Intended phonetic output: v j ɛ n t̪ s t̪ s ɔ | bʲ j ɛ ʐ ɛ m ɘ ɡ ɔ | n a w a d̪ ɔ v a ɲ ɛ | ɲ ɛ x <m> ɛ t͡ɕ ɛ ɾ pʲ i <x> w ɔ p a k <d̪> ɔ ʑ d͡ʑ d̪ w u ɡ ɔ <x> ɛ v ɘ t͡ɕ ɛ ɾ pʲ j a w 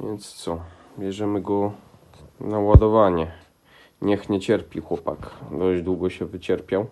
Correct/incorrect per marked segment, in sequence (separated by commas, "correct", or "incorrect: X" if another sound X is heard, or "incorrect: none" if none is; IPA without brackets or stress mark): incorrect: ɲ, correct, correct, incorrect: ɕ